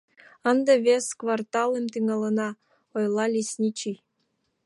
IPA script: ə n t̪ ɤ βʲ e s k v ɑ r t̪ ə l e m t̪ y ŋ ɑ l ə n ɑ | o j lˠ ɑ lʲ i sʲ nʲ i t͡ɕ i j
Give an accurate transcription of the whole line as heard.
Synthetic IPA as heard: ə n d̪ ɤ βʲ e s k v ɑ r t̪ ɑ l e m t̪ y ŋ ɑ l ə n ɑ | o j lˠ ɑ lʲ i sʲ nʲ i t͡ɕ i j